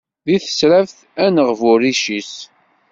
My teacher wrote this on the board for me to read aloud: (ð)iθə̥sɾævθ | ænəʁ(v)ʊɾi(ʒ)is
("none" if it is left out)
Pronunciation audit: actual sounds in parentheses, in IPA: ð, v, ʃ

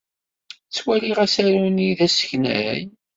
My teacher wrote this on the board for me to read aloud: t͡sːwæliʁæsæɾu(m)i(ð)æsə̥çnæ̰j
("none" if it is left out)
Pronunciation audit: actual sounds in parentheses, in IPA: n, ð

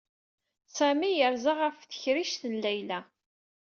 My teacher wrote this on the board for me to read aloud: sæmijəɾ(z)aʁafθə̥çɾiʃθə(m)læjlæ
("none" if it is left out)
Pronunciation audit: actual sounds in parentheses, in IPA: z, n

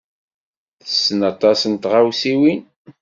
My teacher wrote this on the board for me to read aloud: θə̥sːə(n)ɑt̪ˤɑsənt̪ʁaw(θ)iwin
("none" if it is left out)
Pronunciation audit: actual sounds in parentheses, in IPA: n, s

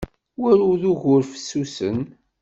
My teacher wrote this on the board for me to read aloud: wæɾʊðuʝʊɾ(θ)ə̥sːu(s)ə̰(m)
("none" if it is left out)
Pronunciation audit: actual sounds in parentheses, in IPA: f, s, n

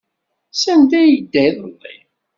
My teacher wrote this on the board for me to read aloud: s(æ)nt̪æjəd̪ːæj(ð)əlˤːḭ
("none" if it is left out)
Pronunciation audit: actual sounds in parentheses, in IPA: æ, ð

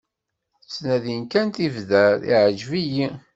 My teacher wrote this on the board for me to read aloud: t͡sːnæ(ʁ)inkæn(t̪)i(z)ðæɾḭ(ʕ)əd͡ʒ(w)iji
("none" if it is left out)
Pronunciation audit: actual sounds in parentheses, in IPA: ð, t̪, v, ʕ, v

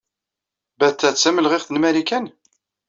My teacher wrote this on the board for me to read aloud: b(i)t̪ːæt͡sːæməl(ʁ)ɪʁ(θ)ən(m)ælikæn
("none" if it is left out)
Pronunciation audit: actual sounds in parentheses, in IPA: æ, ʁ, θ, m

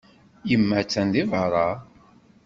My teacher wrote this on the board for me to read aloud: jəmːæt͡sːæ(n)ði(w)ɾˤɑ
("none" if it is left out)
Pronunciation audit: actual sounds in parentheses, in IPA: n, v

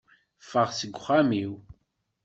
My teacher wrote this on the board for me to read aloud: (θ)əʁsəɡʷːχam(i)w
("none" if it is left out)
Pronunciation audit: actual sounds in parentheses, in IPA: f, i

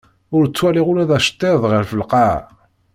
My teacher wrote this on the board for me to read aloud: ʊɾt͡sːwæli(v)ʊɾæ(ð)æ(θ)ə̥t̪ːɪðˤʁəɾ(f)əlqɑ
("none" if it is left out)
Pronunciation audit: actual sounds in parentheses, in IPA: ʁ, ð, ʃ, f

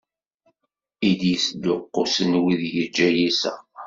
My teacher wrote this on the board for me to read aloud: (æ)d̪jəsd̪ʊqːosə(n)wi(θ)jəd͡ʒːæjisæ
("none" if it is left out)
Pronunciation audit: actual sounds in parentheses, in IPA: i, n, ð

